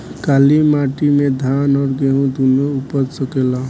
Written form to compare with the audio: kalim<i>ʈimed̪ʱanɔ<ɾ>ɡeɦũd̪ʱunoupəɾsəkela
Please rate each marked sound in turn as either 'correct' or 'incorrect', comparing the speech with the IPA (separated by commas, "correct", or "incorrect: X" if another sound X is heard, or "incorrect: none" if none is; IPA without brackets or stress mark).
incorrect: a, correct